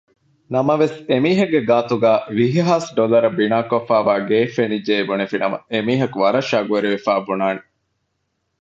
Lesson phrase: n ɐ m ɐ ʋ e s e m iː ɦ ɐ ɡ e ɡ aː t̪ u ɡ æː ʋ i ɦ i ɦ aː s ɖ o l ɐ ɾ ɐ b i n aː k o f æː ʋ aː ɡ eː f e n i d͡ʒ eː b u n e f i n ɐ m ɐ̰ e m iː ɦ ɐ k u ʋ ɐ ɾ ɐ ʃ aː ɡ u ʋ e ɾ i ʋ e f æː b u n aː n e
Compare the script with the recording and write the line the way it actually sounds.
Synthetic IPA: n ɐ m ɐ ʋ e s e m iː ɦ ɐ ɡ e ɡ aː t̪ u ɡ æː ʋ i ɦ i ɦ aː s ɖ o l ɐ ɾ ɐ b i n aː k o f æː ʋ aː ɡ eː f e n i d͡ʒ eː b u n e f i n ɐ m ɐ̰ e m iː ɦ ɐ k u ʋ ɐ ɾ ɐ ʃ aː ɡ u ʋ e ɾ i ʋ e f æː b u n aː n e